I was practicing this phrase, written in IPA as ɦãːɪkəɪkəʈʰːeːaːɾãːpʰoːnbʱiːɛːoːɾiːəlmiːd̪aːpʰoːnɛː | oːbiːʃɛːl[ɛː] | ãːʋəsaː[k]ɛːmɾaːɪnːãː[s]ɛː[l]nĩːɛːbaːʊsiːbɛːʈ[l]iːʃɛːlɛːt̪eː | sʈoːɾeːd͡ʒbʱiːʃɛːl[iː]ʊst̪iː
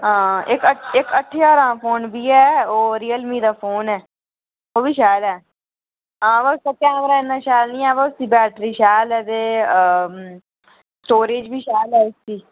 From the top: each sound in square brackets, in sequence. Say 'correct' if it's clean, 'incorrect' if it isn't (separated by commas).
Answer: correct, correct, incorrect, correct, incorrect, incorrect